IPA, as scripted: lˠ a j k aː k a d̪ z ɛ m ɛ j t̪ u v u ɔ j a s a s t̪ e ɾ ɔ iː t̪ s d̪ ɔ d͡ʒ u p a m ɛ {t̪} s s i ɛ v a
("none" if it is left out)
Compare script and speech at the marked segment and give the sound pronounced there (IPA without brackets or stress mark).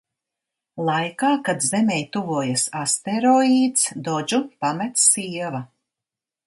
t̪